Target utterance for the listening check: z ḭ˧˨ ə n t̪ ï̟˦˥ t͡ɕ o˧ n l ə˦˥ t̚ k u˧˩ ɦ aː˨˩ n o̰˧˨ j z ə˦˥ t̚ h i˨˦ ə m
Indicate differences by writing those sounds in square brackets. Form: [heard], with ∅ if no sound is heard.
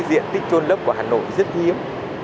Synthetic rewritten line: z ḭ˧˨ ə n t̪ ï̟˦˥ t͡ɕ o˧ n l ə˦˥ [p̚] k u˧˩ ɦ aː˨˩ n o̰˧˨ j z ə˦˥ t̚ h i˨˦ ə m